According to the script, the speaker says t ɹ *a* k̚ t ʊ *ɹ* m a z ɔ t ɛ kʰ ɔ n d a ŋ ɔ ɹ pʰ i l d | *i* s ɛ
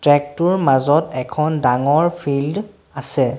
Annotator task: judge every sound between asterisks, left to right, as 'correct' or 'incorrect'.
incorrect: ɛ, correct, incorrect: a

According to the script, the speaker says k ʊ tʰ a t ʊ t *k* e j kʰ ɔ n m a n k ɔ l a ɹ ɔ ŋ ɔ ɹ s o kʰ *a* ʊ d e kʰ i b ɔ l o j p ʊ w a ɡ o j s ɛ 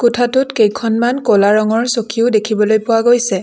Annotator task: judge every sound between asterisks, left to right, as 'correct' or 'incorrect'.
correct, incorrect: i

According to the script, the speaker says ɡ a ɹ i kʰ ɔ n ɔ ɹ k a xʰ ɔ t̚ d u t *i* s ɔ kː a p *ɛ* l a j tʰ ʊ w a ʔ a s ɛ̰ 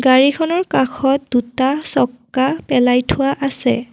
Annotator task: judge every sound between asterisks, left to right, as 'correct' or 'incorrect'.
incorrect: a, correct

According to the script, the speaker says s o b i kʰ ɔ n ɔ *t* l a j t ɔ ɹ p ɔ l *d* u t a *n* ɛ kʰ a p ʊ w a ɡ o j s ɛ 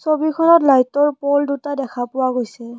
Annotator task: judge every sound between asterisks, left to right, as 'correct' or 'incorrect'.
correct, correct, incorrect: d

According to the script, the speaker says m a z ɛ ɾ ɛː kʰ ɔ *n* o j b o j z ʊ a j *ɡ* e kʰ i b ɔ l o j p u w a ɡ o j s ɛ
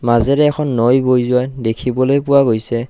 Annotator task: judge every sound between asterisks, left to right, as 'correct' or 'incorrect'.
incorrect: nː, incorrect: d

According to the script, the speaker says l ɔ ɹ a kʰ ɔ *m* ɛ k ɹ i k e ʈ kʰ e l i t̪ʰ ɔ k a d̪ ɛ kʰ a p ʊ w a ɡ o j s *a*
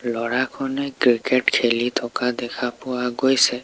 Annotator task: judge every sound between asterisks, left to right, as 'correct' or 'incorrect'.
incorrect: n, incorrect: ɛ

